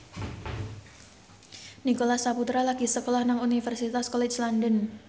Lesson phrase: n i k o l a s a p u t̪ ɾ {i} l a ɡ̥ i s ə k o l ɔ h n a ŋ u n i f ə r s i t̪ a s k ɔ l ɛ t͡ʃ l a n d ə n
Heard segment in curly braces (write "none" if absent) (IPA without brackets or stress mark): a